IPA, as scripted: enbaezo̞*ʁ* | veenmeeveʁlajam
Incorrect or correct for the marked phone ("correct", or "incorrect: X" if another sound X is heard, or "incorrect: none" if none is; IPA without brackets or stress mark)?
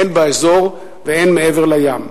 correct